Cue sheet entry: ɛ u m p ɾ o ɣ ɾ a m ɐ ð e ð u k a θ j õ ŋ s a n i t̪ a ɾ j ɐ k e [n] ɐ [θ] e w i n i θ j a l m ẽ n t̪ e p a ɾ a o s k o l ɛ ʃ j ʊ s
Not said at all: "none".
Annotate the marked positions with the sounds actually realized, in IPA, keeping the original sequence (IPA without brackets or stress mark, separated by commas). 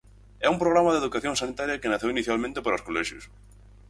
n, θ